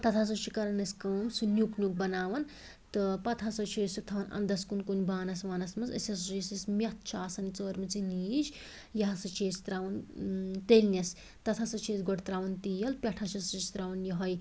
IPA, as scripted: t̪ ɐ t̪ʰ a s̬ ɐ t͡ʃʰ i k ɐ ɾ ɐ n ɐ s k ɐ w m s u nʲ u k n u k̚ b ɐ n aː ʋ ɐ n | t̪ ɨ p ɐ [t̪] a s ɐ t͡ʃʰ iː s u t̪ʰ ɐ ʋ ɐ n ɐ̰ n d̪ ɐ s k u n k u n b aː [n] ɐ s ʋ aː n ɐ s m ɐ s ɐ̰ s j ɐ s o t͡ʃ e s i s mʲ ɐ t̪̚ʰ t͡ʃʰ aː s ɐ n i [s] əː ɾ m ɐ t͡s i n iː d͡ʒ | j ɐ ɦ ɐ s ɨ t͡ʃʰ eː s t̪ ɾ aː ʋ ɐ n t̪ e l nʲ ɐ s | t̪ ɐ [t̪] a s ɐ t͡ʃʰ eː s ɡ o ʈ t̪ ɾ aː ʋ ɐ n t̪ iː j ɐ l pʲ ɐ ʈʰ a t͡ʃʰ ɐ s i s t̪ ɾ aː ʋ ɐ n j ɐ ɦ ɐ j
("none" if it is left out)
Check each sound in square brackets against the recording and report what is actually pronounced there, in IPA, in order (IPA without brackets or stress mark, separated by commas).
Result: t̪ʰ, n, t͡s, t̪ʰ